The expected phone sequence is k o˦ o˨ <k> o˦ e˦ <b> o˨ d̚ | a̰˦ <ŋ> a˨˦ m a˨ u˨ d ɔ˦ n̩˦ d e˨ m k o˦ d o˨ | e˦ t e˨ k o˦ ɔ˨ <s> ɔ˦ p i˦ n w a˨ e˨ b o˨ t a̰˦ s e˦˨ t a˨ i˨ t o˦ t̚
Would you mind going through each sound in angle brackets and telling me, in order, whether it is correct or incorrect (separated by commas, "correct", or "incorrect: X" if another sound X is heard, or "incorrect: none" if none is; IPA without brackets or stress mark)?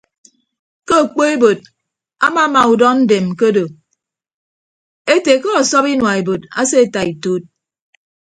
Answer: incorrect: k͡p, correct, incorrect: m, correct